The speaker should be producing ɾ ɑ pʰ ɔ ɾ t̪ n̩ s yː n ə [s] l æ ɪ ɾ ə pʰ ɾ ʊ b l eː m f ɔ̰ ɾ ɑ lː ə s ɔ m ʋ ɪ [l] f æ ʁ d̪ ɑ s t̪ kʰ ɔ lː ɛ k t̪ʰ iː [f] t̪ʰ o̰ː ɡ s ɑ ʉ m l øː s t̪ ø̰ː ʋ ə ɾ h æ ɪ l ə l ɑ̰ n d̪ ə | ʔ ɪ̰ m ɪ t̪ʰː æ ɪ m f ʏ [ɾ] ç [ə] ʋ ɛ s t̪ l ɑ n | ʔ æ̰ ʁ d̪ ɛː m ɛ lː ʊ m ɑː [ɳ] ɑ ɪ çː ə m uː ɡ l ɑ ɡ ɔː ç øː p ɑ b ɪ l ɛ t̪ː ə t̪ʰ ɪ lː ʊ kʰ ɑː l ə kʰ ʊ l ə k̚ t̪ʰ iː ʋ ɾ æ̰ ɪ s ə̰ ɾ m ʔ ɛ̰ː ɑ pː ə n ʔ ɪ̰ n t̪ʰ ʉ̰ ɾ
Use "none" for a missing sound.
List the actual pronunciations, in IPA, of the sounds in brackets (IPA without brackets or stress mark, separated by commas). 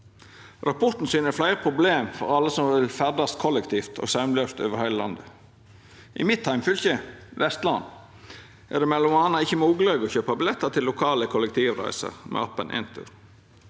f, l, f, l, ə, n